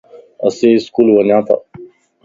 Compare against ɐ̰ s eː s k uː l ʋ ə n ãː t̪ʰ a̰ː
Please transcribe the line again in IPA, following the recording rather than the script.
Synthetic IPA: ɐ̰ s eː s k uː l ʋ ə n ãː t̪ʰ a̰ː

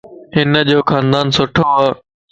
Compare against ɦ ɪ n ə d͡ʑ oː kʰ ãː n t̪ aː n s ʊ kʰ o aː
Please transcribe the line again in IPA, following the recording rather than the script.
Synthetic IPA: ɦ ɪ n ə d͡ʑ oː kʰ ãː n d̪ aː n s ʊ ʈʰ o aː

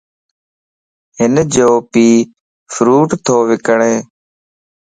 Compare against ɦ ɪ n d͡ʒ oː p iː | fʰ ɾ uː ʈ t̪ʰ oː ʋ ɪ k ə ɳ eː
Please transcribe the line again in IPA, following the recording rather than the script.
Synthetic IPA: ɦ ɪ n d͡ʒ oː p iː | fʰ ɾ uː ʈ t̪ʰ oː ʋ ɪ k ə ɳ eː

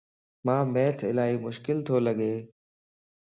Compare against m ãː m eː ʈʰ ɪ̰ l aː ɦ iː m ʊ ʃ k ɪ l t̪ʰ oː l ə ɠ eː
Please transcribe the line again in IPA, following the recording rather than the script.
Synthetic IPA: m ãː m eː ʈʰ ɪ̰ l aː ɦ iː m ʊ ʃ k ɪ l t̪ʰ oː l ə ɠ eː

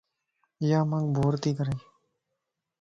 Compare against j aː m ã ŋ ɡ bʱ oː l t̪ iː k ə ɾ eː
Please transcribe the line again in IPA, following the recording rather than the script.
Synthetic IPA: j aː m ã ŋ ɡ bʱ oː ɾ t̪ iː k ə ɾ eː

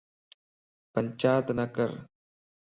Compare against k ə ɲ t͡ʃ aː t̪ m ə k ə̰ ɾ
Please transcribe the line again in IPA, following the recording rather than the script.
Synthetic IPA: p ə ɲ t͡ʃ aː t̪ n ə k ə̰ ɾ

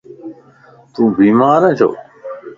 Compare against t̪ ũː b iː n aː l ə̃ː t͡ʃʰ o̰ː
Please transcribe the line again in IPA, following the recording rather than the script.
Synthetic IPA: t̪ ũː b iː m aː ɾ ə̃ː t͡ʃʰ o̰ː

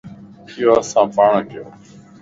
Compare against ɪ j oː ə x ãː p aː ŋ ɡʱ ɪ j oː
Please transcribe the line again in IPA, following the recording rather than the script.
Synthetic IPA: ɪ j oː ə s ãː p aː ɳ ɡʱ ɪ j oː

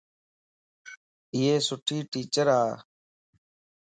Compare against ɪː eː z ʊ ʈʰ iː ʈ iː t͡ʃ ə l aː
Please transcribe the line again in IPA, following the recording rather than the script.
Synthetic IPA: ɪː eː s ʊ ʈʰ iː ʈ iː t͡ʃ ə ɾ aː

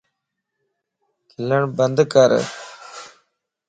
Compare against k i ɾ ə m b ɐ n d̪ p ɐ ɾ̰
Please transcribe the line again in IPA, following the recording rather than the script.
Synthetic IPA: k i l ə ɳ b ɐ n d̪ k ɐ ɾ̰

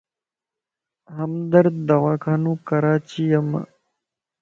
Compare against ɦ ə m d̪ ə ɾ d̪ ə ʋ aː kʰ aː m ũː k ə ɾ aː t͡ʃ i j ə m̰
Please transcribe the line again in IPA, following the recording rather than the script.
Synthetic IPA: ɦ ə m d̪ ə ɾ d̪ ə ʋ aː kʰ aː n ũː k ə ɾ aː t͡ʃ i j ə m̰

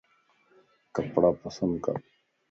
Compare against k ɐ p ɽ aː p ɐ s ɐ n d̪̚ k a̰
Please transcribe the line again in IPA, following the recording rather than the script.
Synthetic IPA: k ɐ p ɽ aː p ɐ s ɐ n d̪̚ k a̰

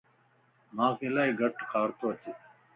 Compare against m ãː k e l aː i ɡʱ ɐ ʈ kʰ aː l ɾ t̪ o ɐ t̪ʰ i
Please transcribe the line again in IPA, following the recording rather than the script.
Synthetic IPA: m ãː k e l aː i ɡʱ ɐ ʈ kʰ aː ɾ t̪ o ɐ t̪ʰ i

